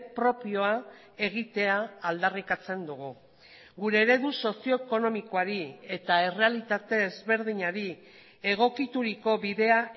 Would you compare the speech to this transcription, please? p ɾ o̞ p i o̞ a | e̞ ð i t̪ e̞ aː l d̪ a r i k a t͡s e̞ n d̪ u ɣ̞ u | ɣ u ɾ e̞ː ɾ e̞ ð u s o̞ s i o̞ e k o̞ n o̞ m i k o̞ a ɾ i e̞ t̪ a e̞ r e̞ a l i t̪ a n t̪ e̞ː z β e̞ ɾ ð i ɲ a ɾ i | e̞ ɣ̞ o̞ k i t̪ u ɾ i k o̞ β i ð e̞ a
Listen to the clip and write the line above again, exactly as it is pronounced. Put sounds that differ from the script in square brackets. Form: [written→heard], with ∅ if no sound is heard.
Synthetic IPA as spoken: p ɾ o̞ p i o̞ a | e̞ [ð→ɣ] i t̪ e̞ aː l d̪ a r i k a t͡s e̞ n d̪ u ɣ̞ u | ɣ u ɾ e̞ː ɾ e̞ ð u s o̞ s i o̞ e k o̞ n o̞ m i k o̞ a ɾ i e̞ t̪ a e̞ r e̞ a l i t̪ a [n→∅] t̪ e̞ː z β e̞ ɾ ð i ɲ a ɾ i | e̞ ɣ̞ o̞ k i t̪ u ɾ i k o̞ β i ð e̞ a